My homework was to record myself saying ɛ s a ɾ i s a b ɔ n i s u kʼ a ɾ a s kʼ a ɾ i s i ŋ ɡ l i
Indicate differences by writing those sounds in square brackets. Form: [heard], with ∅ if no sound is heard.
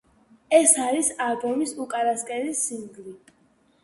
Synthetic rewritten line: ɛ s a ɾ i s a b ɔ [m] i s u kʼ a ɾ a s kʼ [ɛ] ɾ i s i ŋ ɡ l i